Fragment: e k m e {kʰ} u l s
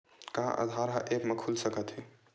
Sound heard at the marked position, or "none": kʰ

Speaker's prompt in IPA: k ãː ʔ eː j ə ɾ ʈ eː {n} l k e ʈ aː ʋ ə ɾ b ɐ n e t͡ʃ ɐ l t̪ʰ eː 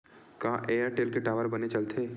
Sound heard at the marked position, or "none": none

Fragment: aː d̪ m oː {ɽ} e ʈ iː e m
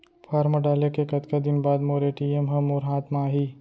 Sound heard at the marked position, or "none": ɾ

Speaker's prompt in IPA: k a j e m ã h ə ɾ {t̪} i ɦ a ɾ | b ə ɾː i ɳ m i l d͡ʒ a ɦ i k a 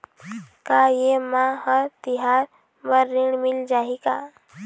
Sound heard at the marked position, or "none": t̪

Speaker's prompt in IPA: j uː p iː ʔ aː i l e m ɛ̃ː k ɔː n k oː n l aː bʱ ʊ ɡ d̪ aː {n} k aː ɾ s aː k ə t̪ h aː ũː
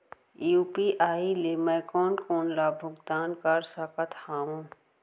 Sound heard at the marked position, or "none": n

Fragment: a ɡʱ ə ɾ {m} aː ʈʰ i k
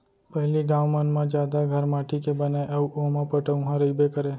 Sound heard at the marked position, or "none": m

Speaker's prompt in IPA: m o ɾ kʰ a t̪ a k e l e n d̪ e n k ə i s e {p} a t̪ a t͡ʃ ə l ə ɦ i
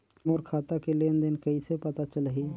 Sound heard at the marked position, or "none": p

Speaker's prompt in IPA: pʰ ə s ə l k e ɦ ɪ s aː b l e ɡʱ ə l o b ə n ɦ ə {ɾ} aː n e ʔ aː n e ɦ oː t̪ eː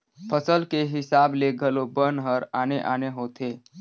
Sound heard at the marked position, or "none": ɾ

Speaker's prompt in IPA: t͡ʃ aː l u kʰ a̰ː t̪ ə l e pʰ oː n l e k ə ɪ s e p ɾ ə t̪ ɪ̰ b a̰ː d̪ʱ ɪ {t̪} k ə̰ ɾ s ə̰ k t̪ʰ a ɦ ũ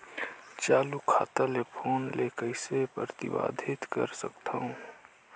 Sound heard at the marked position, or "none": t̪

